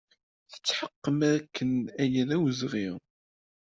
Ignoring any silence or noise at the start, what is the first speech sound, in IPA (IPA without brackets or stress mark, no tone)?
θ